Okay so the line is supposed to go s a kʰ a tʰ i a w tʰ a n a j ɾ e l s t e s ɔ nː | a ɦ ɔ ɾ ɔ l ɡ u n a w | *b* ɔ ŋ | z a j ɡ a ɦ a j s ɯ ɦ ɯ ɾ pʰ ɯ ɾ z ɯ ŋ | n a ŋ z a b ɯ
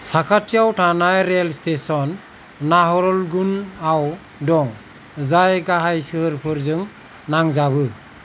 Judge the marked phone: incorrect: d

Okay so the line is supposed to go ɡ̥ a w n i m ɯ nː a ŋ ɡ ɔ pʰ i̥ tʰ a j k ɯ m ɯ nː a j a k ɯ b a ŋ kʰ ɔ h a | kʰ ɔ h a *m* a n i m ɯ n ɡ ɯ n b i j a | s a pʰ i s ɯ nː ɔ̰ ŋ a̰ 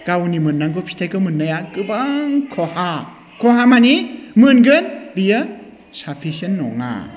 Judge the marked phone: correct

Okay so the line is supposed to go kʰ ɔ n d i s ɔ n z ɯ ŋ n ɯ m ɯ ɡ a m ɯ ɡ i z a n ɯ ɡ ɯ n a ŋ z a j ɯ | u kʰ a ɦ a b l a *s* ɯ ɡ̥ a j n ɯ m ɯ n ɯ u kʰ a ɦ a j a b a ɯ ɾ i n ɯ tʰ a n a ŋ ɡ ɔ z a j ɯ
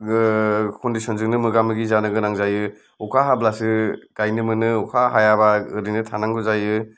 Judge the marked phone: correct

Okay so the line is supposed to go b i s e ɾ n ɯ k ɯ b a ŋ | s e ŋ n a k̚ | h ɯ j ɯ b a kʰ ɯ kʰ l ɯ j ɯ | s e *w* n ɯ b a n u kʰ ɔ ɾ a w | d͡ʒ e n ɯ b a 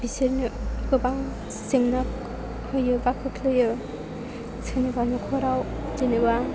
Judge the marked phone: incorrect: none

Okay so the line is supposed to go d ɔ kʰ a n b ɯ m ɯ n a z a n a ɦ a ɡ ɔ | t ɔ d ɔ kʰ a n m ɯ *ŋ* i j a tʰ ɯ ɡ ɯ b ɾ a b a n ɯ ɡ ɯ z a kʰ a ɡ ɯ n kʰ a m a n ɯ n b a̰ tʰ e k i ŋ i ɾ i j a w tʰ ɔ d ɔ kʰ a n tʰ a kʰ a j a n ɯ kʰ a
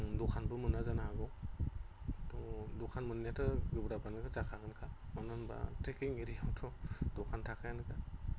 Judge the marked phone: incorrect: n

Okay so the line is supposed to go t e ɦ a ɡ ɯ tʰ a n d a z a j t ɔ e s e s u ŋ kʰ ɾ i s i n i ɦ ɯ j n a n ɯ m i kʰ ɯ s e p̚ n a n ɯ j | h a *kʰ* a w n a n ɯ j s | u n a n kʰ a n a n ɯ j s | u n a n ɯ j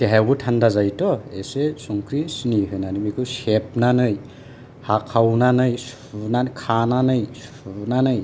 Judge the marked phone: correct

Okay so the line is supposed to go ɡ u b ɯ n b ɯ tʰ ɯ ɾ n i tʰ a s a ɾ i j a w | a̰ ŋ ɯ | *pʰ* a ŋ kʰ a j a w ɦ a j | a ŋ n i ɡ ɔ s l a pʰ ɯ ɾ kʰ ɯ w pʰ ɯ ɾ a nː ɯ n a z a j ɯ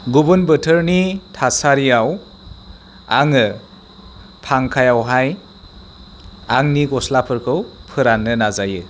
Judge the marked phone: correct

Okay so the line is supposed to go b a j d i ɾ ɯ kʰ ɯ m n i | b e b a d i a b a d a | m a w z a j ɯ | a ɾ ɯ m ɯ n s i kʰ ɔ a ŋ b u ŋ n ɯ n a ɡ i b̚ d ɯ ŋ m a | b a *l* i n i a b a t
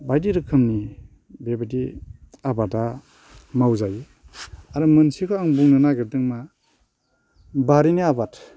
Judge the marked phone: incorrect: ɾ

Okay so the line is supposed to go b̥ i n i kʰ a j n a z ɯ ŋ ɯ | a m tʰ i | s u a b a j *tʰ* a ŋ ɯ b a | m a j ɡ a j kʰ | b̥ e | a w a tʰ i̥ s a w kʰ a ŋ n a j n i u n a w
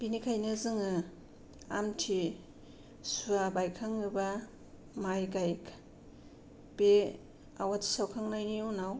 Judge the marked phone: incorrect: kʰ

